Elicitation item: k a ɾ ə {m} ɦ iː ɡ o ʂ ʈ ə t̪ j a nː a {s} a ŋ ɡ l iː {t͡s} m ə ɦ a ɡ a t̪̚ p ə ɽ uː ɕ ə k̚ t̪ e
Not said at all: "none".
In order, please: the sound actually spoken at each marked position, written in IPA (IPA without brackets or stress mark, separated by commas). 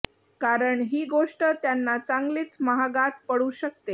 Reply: ɳ, t͡s, t͡s